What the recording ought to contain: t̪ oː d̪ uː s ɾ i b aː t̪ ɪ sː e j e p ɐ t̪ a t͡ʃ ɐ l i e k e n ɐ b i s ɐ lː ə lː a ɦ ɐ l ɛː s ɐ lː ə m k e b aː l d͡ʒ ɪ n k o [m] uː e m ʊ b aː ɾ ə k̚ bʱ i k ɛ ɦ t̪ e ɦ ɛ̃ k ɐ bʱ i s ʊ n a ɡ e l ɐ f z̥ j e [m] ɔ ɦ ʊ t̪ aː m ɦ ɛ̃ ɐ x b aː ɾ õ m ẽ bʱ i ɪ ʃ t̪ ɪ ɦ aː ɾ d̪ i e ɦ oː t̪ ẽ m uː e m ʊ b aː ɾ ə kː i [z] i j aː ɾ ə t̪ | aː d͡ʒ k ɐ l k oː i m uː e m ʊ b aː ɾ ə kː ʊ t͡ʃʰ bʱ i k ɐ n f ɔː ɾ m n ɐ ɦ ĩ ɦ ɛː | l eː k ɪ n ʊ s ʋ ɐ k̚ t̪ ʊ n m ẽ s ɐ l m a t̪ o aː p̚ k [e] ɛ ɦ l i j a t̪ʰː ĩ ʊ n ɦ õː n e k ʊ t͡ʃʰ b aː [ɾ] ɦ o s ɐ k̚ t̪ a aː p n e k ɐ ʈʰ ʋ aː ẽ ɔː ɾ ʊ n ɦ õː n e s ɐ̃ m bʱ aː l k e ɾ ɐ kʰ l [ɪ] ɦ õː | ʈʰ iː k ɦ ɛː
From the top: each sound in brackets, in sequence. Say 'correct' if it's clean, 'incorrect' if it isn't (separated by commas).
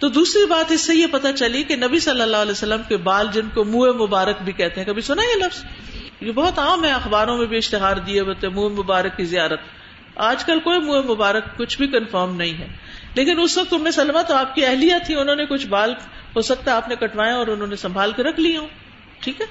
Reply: correct, incorrect, correct, incorrect, incorrect, incorrect